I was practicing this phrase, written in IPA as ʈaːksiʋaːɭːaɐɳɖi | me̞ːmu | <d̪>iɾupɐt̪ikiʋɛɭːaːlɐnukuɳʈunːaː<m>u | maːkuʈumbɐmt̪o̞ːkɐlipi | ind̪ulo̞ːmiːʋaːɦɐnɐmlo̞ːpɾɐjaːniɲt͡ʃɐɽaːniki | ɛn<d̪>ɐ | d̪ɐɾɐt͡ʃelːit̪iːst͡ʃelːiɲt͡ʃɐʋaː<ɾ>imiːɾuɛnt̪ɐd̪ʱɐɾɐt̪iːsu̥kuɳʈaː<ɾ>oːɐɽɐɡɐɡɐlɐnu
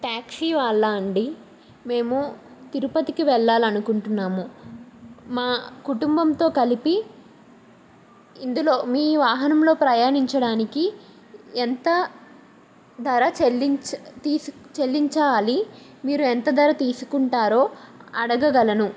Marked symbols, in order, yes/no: no, yes, no, no, yes

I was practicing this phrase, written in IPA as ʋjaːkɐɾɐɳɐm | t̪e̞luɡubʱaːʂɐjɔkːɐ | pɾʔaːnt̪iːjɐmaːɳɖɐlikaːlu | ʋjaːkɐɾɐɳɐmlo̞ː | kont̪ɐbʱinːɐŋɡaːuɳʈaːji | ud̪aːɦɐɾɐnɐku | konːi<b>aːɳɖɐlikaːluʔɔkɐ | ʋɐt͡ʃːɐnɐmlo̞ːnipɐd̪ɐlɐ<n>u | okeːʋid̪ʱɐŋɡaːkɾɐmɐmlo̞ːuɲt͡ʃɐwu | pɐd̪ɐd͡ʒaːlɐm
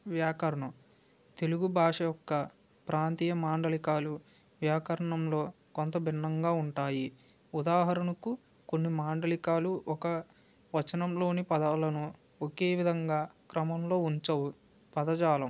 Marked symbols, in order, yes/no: no, yes

